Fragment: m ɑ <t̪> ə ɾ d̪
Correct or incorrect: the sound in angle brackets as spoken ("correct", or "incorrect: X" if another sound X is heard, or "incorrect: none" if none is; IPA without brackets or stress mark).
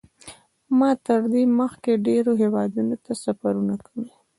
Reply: correct